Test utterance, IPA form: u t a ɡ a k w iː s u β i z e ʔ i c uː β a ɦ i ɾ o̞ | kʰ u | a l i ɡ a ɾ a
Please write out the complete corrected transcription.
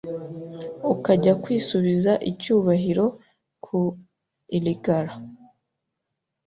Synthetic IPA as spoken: u k a ɟ a k w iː s u β i z a ʔ i c uː β a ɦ i ɾ o̞ | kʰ u | i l i ɡ a ɾ a